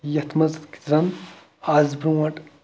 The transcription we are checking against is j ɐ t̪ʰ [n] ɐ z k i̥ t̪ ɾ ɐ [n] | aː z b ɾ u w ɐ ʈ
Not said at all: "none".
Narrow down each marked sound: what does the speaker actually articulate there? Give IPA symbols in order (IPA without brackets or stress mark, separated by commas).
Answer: m, n